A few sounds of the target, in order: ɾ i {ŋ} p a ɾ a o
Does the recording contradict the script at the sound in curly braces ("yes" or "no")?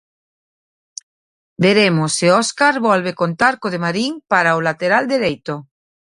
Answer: no